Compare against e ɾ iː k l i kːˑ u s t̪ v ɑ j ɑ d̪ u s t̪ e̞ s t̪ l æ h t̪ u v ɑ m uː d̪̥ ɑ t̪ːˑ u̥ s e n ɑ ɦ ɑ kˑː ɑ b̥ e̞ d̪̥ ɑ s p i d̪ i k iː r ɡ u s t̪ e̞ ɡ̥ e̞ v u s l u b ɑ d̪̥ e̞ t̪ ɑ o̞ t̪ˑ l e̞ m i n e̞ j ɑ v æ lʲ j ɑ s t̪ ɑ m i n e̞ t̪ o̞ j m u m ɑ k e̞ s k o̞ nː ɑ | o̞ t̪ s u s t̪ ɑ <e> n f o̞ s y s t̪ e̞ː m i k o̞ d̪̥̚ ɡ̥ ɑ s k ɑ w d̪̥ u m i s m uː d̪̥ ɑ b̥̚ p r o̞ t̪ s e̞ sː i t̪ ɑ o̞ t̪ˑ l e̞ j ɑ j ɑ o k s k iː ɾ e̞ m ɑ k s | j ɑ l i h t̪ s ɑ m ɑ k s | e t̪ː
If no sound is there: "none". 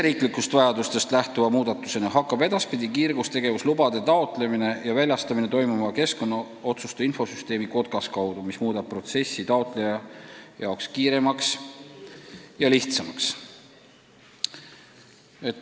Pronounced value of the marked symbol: i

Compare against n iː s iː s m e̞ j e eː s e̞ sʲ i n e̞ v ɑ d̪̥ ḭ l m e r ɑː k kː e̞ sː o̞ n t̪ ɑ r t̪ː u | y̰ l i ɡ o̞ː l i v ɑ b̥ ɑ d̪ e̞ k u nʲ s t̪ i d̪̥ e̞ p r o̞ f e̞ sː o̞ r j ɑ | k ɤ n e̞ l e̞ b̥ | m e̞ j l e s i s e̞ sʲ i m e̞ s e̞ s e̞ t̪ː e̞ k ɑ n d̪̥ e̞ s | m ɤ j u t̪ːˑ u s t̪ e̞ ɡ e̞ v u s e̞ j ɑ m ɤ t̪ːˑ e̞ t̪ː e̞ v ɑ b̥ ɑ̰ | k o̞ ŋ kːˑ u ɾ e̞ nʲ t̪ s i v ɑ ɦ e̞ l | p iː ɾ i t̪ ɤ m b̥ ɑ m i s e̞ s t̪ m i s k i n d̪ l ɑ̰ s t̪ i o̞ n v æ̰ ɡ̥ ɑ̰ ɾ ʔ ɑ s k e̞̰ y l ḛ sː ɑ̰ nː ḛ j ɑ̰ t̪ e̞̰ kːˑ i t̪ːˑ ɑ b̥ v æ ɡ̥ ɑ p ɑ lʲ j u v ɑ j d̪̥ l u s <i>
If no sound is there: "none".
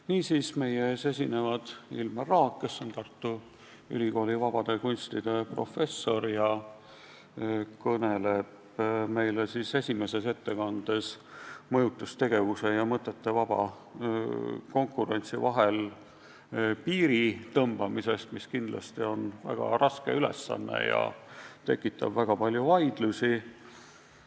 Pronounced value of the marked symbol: i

